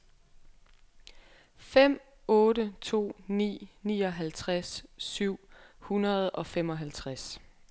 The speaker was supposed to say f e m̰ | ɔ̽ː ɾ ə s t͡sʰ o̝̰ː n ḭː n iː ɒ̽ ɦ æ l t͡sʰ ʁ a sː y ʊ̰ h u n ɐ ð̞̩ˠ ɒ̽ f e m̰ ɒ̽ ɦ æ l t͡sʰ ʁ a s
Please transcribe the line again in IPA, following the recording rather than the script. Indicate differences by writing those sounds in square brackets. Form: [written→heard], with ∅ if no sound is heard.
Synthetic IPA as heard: f e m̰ | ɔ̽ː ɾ ə [s→∅] t͡sʰ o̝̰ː n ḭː n iː ɒ̽ ɦ æ l t͡sʰ ʁ a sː y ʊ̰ h u n ɐ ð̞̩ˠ ɒ̽ f e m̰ ɒ̽ ɦ æ l t͡sʰ ʁ a s